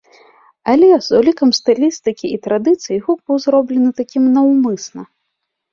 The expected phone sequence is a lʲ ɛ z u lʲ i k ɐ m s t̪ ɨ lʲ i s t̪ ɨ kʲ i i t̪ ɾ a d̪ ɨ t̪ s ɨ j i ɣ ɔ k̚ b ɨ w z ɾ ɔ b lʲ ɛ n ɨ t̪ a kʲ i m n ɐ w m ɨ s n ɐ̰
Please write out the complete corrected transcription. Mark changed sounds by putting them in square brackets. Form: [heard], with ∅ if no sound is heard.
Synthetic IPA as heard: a lʲ ɛ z u lʲ i k ɐ m s t̪ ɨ lʲ i s t̪ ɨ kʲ i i t̪ ɾ a d̪ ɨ t̪ s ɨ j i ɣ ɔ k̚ b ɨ w z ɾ ɔ b lʲ ɛ n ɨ t̪ a kʲ i m n ɐ w m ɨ s n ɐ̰